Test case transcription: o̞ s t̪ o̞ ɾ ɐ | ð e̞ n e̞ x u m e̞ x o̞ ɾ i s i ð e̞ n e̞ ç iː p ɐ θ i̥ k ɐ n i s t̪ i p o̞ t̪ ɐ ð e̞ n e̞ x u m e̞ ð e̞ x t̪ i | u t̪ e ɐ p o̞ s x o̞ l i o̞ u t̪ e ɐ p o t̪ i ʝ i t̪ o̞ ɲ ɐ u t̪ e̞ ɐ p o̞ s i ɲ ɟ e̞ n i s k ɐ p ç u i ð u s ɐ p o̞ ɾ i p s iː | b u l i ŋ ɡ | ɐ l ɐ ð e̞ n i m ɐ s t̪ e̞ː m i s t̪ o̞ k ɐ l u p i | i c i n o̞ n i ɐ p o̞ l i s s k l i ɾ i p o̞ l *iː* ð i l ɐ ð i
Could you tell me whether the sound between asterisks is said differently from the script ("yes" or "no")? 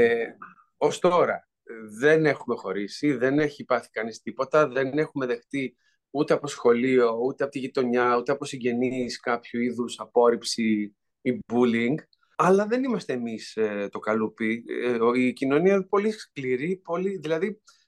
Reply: yes